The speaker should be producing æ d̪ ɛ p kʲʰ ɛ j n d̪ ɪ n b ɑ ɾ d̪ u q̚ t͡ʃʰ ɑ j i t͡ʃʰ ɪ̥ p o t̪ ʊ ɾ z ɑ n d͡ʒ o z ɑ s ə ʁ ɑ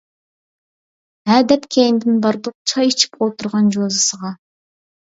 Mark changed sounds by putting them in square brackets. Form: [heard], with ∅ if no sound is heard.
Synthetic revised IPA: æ d̪ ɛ p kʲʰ [e] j n d̪ ɪ n b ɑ ɾ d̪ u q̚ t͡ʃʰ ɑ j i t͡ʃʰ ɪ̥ p o t̪ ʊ ɾ [ʁ] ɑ n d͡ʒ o z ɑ s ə ʁ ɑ